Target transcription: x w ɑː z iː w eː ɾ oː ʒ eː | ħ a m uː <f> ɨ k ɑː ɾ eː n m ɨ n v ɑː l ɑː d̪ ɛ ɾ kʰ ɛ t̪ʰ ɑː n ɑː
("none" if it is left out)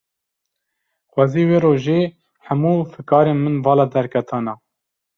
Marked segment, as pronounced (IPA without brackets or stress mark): f